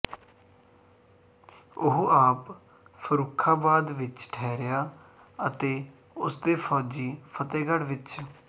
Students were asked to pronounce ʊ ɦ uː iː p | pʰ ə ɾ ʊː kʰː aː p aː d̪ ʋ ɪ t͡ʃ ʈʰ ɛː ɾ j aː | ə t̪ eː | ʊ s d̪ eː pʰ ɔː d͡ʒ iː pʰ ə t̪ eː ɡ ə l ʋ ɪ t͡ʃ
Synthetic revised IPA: ʊ ɦ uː aː p | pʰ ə ɾ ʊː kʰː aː b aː d̪ ʋ ɪ t͡ʃ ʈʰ ɛː ɾ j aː | ə t̪ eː | ʊ s d̪ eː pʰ ɔː d͡ʒ iː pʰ ə t̪ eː ɡ ə ɽ ʋ ɪ t͡ʃ